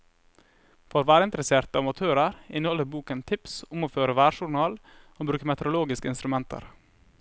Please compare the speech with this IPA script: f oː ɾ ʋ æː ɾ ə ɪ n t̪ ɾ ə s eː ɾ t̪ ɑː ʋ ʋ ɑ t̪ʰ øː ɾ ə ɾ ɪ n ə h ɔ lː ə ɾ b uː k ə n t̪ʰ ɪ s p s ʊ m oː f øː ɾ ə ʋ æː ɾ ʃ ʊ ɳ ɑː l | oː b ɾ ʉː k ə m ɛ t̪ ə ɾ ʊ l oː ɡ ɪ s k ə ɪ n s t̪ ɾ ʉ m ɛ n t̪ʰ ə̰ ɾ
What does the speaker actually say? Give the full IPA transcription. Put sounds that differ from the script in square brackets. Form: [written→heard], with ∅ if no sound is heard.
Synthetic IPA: f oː ɾ ʋ æː ɾ ə ɪ n t̪ ɾ ə s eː ɾ t̪ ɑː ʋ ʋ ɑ t̪ʰ øː ɾ ə ɾ ɪ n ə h ɔ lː ə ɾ b uː k ə n t̪ʰ ɪ [s→∅] p s ʊ m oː f øː ɾ ə ʋ æː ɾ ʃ ʊ ɳ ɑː l | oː b ɾ ʉː k ə m ɛ t̪ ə ɾ ʊ l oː ɡ ɪ s k ə ɪ n s t̪ ɾ ʉ m ɛ n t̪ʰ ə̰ ɾ